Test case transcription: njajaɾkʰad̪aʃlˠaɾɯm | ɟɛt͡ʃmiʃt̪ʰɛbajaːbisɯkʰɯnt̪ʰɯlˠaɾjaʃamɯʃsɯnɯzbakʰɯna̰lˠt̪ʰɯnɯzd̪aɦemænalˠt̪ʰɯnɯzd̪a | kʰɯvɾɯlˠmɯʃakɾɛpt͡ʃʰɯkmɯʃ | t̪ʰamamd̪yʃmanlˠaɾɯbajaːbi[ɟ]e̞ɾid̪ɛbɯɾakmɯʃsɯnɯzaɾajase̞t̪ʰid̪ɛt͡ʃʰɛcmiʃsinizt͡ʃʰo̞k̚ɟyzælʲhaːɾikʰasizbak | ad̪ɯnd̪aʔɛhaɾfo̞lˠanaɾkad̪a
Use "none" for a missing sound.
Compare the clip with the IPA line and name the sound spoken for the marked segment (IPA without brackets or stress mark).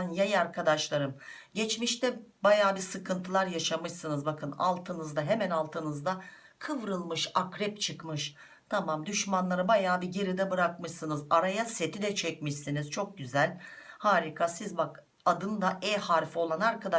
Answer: ɟ